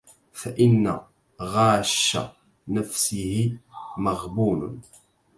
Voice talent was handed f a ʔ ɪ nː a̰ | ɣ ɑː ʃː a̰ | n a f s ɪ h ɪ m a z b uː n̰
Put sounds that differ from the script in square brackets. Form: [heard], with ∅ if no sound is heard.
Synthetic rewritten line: f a ʔ ɪ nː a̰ | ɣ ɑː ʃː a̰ | n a f s ɪ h ɪ m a [ɣ] b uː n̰